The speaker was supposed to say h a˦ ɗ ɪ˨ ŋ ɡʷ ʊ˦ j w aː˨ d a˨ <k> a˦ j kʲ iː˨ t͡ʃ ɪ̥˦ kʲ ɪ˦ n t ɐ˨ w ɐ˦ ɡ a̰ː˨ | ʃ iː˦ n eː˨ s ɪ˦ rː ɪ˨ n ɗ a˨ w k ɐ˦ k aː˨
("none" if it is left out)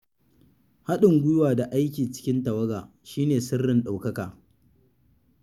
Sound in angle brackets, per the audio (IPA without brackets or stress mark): ʔ